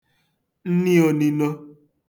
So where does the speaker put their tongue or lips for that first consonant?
tongue tip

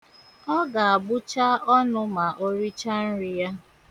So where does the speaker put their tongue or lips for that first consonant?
velum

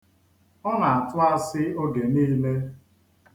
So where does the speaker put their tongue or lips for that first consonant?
tongue tip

